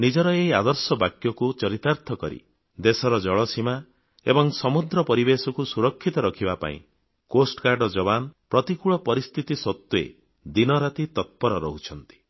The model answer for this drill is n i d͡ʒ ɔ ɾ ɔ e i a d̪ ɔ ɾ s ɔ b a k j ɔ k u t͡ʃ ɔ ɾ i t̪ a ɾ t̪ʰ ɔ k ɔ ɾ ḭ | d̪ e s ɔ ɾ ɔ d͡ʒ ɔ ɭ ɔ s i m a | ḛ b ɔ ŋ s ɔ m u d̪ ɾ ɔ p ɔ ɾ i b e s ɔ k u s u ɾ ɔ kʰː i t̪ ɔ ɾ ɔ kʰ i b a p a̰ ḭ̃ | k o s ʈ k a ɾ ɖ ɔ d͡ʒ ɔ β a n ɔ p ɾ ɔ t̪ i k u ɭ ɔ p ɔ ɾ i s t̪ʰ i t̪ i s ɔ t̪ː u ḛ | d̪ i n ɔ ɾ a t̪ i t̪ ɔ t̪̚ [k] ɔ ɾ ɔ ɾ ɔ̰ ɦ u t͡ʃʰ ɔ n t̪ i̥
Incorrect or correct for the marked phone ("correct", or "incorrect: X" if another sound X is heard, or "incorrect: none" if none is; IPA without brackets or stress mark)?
incorrect: p